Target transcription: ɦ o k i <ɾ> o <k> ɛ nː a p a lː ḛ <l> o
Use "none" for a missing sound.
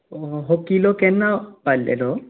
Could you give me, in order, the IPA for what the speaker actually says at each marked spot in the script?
l, k, l

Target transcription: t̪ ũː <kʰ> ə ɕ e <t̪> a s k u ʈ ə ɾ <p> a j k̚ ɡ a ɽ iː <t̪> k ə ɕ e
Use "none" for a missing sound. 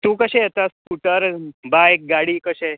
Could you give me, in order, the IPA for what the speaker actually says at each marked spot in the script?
k, t̪, b, none

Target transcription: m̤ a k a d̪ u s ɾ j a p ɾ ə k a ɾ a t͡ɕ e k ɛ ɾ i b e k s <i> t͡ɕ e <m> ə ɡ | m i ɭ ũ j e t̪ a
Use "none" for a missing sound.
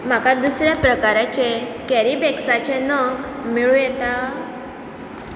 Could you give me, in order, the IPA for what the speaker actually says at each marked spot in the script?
a, n

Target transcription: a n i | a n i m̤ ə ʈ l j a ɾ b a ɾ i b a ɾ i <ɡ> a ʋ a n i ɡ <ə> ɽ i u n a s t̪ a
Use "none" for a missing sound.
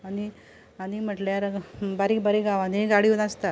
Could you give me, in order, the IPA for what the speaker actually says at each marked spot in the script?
ɡ, a

